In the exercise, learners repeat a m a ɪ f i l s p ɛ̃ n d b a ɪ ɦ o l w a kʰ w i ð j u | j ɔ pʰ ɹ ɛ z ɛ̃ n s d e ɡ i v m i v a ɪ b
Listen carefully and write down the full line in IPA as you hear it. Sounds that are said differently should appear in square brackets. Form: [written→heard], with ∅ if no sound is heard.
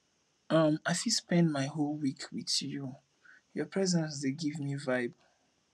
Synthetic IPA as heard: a m a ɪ f i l s p ɛ̃ n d [b→m] a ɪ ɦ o l w [a→i] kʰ w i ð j u | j ɔ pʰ ɹ ɛ z ɛ̃ n s d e ɡ i v m i v a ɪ b

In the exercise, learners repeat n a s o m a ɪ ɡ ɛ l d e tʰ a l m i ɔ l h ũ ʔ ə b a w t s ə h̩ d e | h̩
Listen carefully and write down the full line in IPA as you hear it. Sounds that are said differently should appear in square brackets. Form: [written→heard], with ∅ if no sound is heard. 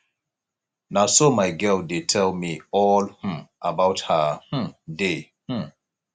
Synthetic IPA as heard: n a s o m a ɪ ɡ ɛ l d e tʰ [a→ɛ] l m i ɔ l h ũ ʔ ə b a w t [s→h] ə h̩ d e | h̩

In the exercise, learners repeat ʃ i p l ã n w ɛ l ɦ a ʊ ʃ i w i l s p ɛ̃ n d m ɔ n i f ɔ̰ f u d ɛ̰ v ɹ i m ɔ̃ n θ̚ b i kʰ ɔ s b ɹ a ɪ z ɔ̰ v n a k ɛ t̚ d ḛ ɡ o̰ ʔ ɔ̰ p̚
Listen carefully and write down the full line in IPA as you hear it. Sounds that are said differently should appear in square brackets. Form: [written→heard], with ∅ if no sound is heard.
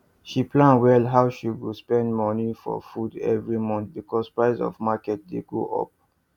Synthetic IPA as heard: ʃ i p l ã n w ɛ l ɦ a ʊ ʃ i w i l s p ɛ̃ n d m ɔ n i f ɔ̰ f u d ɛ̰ v ɹ i m ɔ̃ n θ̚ b i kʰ ɔ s [b→p] ɹ a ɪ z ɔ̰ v [n→m] a k ɛ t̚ d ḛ ɡ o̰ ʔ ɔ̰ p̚

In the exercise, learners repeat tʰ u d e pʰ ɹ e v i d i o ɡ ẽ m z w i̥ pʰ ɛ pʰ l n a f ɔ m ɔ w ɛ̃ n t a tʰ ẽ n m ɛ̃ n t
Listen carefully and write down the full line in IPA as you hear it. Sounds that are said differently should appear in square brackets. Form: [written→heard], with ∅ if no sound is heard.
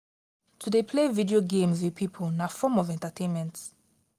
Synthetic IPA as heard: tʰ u d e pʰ [ɹ→l] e v i d i o ɡ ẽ m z w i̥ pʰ [ɛ→i] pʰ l n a f ɔ m ɔ [w→v] ɛ̃ n t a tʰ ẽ n m ɛ̃ n t

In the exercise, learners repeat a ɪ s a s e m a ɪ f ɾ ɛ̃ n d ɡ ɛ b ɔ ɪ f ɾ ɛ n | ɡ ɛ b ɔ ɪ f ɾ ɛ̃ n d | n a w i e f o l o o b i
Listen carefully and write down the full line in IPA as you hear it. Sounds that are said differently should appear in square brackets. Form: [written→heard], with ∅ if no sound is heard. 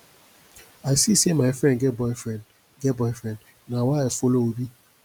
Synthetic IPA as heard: a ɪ s [a→i] s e m a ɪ f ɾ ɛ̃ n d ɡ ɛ b ɔ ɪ f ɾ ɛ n | ɡ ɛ b ɔ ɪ f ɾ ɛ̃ n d | n a w [i→a] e f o l o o b i

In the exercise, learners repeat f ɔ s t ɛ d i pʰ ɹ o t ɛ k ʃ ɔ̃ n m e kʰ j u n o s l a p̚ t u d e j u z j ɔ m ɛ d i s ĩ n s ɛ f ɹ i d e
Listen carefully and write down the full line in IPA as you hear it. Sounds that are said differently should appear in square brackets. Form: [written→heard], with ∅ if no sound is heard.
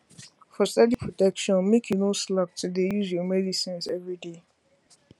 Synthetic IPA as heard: f ɔ s t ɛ d i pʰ ɹ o t ɛ k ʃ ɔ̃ n m e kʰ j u n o s l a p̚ t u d e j u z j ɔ m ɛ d i s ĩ n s ɛ [f→v] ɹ i d e

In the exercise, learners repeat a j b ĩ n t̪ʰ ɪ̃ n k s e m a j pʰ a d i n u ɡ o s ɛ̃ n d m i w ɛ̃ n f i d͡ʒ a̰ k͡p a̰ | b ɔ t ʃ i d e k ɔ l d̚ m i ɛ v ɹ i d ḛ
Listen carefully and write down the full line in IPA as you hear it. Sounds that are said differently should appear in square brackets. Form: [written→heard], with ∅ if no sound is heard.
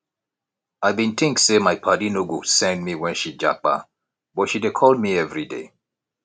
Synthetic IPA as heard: a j b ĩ n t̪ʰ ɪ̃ [n→ŋ] k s e m a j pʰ a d i n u ɡ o s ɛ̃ n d m i w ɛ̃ n [f→ʃ] i d͡ʒ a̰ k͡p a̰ | b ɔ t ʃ i d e [k→kʰ] ɔ l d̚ m i ɛ v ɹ i d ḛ

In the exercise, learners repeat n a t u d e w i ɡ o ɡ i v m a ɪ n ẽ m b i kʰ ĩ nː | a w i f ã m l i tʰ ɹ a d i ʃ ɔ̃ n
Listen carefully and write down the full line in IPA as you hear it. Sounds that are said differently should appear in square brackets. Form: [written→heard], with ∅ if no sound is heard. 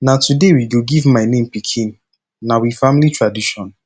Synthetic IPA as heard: n a t u d e w i ɡ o ɡ i v m a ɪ n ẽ m [b→p] i kʰ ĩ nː | a w i f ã m l i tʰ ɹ a d i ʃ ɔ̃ n

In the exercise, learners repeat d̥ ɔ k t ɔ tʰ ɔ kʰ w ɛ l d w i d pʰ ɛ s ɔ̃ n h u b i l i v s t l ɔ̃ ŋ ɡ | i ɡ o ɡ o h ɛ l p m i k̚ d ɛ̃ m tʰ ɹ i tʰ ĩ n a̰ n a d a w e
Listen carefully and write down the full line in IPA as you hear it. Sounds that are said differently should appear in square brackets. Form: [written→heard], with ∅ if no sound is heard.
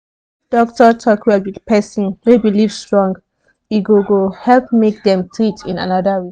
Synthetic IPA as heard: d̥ ɔ k t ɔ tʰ ɔ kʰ w ɛ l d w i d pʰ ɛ s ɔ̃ n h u b i l i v s t [l→ɹ] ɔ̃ ŋ ɡ | i ɡ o ɡ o h ɛ l p m [i→e] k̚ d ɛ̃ m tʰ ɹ i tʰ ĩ n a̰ n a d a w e

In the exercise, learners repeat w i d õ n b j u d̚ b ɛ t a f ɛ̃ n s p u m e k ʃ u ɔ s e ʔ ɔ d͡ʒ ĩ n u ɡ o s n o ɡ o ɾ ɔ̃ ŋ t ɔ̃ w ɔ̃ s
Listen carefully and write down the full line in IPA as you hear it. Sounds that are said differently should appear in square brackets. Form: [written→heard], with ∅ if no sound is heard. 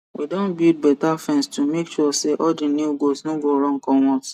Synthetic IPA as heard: w i d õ n b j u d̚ b ɛ t a f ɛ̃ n s [p→t] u m e k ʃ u ɔ s e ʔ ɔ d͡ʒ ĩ n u ɡ o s n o ɡ o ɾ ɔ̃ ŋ [t→k] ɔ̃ w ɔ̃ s

